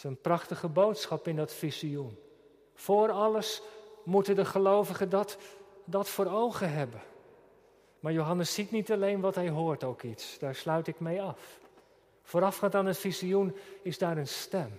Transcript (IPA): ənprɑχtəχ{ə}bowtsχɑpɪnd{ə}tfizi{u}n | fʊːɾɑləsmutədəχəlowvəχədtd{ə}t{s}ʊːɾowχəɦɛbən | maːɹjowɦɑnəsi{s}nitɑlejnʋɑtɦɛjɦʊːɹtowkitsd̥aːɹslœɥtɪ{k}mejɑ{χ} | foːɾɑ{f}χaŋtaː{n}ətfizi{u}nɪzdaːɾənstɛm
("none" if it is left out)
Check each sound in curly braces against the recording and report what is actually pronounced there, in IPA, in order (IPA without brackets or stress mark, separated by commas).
ə, ɑ, u, ɑ, f, t, k, f, f, n, u